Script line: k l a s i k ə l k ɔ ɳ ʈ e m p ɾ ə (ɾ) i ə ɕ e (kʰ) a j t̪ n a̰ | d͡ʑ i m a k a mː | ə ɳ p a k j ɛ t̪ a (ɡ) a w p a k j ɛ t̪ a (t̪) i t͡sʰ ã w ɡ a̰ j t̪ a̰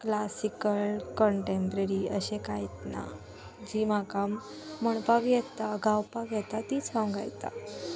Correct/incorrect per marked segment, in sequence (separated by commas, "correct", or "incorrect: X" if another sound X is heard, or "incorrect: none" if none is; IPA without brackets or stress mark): correct, incorrect: k, correct, correct